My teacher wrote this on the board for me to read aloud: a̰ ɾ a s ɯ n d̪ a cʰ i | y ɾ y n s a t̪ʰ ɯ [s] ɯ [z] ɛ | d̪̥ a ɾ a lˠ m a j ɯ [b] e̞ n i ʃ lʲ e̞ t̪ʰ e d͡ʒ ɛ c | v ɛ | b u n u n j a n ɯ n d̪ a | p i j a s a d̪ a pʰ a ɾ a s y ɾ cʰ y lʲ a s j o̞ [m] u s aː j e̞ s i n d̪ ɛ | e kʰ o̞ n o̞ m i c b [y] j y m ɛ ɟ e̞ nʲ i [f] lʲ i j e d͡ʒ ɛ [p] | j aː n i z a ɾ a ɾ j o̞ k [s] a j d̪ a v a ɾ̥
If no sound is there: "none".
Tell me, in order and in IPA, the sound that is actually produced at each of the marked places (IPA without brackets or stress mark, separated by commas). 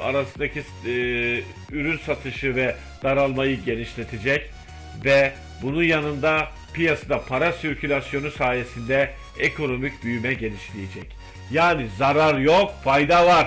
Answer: ʃ, v, ɟ, n, y, ʃ, c, f